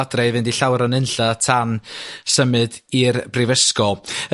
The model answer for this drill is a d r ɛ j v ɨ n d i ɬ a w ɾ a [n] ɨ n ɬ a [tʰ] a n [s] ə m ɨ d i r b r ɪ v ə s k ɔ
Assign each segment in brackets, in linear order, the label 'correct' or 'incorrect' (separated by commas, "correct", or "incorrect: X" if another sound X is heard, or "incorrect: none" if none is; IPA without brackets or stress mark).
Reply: correct, correct, correct